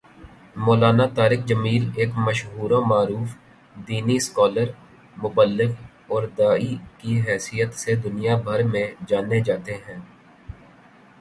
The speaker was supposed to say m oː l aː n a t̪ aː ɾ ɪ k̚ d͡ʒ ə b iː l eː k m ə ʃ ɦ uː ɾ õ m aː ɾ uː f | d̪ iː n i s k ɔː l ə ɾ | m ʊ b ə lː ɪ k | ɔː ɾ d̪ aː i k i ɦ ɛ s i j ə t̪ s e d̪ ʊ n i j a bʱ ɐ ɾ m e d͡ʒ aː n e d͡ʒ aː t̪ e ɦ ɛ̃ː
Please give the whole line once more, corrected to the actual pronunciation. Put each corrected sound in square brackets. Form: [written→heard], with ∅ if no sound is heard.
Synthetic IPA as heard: m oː l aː n a t̪ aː ɾ ɪ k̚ d͡ʒ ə [b→m] iː l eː k m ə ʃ ɦ uː ɾ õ m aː ɾ uː f | d̪ iː n i s k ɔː l ə ɾ | m ʊ b ə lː ɪ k | ɔː ɾ d̪ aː i k i ɦ [ɛ→ɛː] s i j ə t̪ s e d̪ ʊ n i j a bʱ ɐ ɾ m [e→ẽ] d͡ʒ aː n e d͡ʒ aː t̪ e ɦ ɛ̃ː